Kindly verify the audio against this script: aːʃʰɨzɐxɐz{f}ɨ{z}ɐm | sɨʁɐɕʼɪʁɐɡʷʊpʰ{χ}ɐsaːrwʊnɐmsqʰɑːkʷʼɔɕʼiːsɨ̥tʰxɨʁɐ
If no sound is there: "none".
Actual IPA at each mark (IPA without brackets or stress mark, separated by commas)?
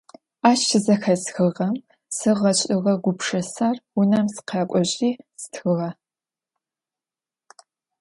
x, ʁ, ʂ